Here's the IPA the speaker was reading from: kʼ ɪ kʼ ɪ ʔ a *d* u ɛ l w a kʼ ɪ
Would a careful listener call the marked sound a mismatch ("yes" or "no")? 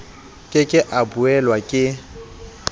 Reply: yes